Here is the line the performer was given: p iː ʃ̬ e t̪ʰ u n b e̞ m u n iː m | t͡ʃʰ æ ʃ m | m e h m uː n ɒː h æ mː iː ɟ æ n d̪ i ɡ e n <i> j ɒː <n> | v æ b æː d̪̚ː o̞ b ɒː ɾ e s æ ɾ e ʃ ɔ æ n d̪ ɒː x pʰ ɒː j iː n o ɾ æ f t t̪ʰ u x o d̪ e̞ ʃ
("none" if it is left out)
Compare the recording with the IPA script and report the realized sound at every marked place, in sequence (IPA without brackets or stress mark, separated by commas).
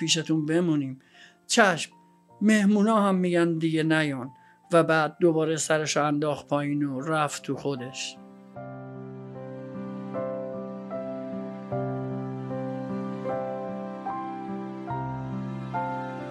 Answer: æ, n